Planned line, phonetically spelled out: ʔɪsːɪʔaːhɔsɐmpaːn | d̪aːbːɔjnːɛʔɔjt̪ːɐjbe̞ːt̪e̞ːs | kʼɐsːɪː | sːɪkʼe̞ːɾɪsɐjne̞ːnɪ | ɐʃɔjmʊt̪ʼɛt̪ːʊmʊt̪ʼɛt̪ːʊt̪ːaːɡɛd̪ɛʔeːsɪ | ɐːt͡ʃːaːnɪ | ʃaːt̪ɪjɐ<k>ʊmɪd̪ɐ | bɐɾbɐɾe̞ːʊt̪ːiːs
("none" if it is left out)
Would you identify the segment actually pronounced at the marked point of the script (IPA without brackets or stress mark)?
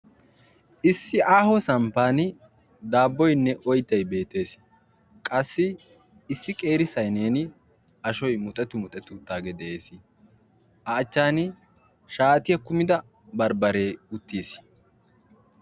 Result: k